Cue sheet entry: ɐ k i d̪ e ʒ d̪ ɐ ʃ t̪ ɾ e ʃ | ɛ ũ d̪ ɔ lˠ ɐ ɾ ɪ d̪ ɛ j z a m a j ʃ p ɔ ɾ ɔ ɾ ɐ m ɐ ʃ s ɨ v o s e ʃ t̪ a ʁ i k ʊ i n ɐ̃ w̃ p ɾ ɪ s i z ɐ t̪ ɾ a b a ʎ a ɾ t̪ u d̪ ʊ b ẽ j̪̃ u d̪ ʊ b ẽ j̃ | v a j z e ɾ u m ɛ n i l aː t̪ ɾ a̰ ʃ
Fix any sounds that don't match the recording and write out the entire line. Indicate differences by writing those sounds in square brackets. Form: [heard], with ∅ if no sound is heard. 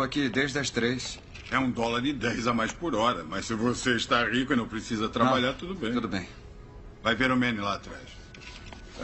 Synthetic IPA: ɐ k i d̪ e ʒ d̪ ɐ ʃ t̪ ɾ e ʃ | ɛ ũ d̪ ɔ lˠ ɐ ɾ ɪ d̪ ɛ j z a m a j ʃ p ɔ ɾ ɔ ɾ ɐ m ɐ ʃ s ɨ v o s e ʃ t̪ a ʁ i k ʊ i n ɐ̃ w̃ p ɾ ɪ s i z ɐ t̪ ɾ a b a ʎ a ɾ t̪ u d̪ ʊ b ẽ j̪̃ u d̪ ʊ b ẽ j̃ | v a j [v] e ɾ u m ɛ n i l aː t̪ ɾ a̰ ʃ